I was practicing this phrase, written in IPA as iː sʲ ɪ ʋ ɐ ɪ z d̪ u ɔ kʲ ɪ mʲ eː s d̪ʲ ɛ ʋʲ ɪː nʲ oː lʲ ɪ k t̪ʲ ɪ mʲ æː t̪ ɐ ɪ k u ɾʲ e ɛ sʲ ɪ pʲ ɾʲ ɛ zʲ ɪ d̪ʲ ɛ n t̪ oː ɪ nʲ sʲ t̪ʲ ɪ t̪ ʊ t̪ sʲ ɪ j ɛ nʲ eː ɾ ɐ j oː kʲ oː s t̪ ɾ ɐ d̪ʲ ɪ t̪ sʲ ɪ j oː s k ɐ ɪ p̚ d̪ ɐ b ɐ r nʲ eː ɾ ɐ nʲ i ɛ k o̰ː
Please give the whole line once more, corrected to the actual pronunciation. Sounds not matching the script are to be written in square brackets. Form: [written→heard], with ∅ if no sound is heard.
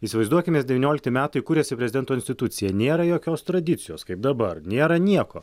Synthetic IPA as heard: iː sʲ ɪ ʋ ɐ ɪ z d̪ u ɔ kʲ ɪ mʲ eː s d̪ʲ ɛ ʋʲ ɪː nʲ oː lʲ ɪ k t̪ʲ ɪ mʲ æː t̪ ɐ ɪ k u ɾʲ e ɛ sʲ ɪ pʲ ɾʲ ɛ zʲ ɪ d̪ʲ ɛ n t̪ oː ɪ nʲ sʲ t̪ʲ ɪ t̪ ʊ t̪ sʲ ɪ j ɛ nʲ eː ɾ ɐ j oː kʲ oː s t̪ ɾ ɐ d̪ʲ ɪ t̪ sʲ ɪ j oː s k ɐ ɪ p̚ d̪ ɐ b ɐ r nʲ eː ɾ ɐ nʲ i ɛ k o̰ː